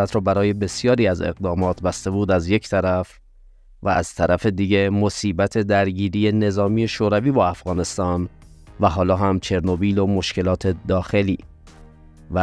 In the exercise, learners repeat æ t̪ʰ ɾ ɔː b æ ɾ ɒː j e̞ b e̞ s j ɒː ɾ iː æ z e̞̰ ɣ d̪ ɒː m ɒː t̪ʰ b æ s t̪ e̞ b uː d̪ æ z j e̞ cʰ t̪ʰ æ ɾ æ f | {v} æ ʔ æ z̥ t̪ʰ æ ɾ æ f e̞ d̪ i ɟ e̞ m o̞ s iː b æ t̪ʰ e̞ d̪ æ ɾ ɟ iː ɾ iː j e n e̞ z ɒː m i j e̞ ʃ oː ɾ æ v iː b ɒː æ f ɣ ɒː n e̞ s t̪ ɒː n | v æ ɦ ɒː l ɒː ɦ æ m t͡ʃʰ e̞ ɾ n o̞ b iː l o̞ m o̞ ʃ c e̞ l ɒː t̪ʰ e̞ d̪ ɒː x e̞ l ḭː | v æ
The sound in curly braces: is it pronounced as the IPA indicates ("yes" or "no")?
yes